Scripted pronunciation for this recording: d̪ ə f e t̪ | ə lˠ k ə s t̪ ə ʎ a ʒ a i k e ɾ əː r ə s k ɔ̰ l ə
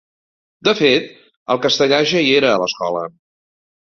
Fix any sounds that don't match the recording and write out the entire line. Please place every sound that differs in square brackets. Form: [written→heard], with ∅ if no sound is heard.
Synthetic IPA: d̪ ə f e t̪ | ə lˠ k ə s t̪ ə ʎ a ʒ [a→ə] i [k→∅] e ɾ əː [r→l] ə s k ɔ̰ l ə